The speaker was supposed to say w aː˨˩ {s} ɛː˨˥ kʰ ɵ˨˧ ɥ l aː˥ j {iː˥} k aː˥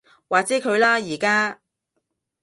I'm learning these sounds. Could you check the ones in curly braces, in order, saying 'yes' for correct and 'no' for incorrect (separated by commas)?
no, no